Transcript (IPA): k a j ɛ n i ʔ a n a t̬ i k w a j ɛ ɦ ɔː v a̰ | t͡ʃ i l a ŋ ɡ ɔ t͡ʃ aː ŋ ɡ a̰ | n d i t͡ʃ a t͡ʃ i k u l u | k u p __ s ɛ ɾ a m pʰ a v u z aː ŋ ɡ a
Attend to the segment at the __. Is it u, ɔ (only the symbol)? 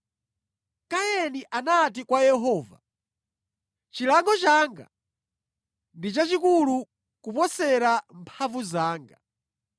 ɔ